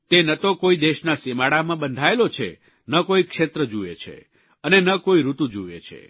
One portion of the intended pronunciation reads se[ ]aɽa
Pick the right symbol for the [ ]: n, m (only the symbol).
m